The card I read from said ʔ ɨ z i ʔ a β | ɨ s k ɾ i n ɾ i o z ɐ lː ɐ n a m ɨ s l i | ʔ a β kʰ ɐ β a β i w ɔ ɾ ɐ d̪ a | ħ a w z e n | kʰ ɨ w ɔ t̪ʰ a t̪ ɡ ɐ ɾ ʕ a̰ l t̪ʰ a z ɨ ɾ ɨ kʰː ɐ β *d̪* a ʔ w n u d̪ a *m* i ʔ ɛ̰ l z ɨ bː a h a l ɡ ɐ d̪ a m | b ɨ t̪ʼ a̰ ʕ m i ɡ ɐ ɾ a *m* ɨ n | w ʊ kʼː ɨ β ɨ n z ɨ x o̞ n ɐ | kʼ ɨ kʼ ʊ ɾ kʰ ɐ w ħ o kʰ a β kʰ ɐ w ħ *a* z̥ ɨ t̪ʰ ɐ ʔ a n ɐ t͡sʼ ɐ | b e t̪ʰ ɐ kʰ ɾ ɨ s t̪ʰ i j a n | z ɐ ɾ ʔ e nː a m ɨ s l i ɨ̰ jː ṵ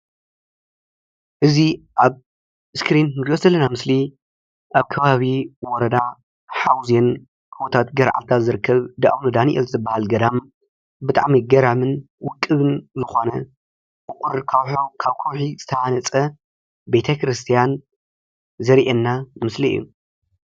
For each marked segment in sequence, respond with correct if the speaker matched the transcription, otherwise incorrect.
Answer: correct, incorrect: n, correct, incorrect: i

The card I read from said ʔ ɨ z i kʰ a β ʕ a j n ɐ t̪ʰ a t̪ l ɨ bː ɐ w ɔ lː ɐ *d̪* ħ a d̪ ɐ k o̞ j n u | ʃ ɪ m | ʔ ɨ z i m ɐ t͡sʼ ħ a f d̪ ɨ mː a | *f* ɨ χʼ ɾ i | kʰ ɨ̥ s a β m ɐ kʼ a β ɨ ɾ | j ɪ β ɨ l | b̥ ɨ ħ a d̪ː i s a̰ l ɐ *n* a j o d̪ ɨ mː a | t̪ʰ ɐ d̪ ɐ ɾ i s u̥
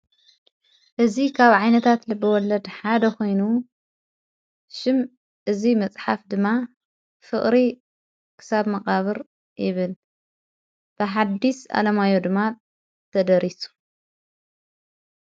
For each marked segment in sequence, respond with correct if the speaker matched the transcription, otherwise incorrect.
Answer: correct, correct, incorrect: m

